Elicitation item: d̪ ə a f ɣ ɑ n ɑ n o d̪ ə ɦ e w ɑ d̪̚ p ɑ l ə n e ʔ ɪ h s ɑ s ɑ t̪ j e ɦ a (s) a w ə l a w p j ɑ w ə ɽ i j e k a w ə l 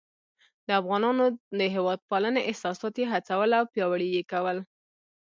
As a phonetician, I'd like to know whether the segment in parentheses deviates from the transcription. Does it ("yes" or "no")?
yes